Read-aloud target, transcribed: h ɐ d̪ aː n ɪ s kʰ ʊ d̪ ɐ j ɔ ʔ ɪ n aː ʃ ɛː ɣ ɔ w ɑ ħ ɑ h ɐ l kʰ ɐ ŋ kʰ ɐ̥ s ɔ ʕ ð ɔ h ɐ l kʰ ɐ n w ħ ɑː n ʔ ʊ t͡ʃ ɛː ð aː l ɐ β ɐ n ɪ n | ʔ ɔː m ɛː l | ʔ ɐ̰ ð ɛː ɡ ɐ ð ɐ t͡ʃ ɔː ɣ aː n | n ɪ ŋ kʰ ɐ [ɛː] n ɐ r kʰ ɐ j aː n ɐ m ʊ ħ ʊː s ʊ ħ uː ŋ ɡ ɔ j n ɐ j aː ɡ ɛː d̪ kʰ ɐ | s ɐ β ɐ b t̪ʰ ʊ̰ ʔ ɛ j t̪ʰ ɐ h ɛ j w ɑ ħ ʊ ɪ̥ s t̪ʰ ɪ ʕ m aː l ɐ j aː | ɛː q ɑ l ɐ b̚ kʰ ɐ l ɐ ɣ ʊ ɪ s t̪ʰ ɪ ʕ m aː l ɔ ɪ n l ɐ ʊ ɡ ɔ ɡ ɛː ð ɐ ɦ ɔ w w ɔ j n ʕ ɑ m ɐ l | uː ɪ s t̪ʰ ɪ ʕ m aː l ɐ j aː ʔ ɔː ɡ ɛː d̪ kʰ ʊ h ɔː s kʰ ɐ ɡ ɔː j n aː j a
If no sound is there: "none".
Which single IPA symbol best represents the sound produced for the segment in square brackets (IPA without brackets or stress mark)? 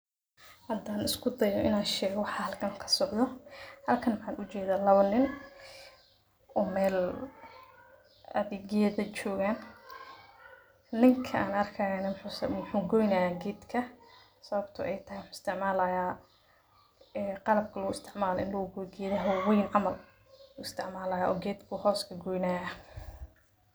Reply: aː